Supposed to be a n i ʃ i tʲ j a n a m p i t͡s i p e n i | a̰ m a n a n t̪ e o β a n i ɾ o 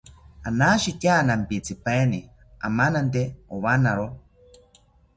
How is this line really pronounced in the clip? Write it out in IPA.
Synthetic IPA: a n a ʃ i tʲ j a n a m p i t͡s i p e n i | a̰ m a n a n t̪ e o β a n a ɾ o